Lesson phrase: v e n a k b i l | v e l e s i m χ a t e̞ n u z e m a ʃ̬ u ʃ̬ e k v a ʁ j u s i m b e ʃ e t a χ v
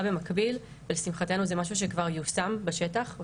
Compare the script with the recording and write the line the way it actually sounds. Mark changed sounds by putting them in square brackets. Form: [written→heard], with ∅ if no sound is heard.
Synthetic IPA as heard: [v→b] e [n→m] a k b i l | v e l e s i m χ a t e̞ n u z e m a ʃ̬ u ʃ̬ e k v a ʁ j u s [i→a] m b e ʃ e t a χ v